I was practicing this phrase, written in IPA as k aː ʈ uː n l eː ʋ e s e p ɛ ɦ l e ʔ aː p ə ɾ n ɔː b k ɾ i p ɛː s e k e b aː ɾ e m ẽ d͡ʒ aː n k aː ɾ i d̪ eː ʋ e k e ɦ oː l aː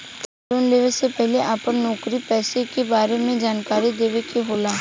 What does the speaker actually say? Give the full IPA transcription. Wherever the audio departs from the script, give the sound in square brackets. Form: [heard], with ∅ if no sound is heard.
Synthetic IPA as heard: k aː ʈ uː n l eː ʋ e s e p ɛ ɦ l e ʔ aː p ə ɾ n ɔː [∅] k ɾ i p ɛː s e k e b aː ɾ e m ẽ d͡ʒ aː n k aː ɾ i d̪ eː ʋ e k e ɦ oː l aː